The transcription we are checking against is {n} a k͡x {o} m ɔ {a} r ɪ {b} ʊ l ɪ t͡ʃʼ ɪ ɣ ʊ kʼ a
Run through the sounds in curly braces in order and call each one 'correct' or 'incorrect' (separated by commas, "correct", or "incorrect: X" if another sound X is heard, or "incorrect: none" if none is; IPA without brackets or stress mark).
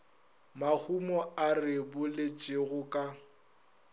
incorrect: m, incorrect: u, correct, correct